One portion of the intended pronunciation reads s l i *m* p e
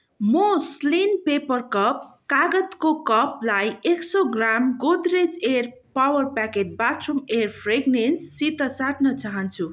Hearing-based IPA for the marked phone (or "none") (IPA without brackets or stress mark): n